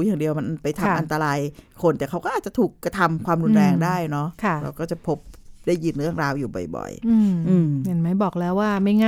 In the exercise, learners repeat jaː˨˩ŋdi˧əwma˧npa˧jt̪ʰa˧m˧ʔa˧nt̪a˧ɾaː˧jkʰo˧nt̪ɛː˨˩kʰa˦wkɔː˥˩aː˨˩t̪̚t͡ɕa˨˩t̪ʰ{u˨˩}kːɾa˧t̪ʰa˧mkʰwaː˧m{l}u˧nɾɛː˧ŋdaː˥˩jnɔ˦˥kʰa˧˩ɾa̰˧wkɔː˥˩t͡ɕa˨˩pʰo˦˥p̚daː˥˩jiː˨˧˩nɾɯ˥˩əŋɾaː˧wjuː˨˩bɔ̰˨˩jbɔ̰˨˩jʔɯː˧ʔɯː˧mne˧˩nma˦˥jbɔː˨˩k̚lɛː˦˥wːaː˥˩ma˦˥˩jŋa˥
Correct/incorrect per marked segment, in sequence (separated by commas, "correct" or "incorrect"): incorrect, incorrect